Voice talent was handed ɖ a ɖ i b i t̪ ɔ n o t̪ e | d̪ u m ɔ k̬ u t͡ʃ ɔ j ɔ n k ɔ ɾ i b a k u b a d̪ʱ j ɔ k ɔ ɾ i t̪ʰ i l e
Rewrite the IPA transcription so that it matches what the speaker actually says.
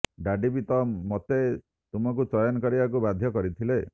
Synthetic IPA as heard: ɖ a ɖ i b i t̪ ɔ m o t̪ e | t̪ u m ɔ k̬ u t͡ʃ ɔ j ɔ n k ɔ ɾ i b a k u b a d̪ʱ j ɔ k ɔ ɾ i t̪ʰ i l e